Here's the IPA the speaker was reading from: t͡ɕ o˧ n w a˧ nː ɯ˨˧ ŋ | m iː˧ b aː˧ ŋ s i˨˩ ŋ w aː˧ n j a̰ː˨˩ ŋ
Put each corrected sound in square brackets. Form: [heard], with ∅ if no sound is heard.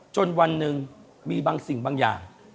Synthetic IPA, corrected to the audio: t͡ɕ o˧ n w a˧ nː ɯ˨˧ ŋ | m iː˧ b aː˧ ŋ s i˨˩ ŋ [b] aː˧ [ŋ] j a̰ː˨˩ ŋ